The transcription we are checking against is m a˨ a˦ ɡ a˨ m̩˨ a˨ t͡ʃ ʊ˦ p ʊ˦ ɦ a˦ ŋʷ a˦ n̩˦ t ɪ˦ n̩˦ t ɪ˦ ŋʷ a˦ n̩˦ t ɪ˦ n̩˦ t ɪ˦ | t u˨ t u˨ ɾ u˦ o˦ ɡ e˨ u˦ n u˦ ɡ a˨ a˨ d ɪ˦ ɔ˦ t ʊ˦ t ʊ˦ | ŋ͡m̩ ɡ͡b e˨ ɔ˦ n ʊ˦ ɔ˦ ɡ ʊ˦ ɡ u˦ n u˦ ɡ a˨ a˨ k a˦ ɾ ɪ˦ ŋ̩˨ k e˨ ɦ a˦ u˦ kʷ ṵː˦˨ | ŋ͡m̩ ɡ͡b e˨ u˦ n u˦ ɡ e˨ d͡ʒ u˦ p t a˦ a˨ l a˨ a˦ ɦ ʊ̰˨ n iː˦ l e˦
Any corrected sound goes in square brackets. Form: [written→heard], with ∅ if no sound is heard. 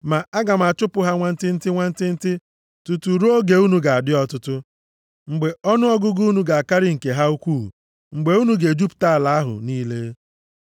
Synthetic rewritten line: m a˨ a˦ ɡ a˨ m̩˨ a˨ t͡ʃ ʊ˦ p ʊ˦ ɦ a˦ ŋʷ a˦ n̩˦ t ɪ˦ n̩˦ t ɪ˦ ŋʷ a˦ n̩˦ t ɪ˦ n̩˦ t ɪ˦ | t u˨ t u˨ ɾ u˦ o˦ ɡ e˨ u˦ n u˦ ɡ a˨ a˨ d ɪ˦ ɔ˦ t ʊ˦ t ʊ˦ | ŋ͡m̩ ɡ͡b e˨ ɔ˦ n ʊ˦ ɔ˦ ɡ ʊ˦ ɡ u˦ n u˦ ɡ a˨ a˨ k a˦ ɾ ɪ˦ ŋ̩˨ k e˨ ɦ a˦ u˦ kʷ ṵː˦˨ | ŋ͡m̩ ɡ͡b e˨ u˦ n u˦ ɡ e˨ d͡ʒ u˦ p t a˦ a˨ l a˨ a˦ ɦ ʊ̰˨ n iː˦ l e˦